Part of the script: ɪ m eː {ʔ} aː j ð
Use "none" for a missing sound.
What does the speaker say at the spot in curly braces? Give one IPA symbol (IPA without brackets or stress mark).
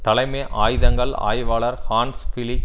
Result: ʔ